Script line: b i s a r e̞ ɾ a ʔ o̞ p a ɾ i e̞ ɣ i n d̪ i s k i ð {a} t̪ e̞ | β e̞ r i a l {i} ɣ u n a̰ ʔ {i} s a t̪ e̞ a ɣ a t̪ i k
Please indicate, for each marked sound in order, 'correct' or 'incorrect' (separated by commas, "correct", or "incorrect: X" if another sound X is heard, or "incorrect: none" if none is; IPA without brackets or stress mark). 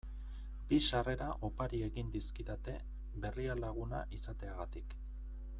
correct, incorrect: a, correct